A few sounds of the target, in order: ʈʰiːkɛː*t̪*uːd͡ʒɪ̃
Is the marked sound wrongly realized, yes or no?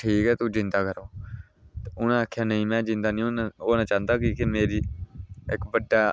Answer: no